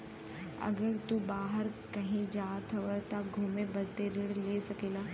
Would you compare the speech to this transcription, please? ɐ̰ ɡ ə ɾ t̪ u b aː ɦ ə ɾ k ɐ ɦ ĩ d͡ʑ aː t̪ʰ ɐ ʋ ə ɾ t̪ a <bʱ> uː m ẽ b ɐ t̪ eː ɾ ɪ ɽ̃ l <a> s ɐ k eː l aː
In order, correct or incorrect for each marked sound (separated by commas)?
incorrect, incorrect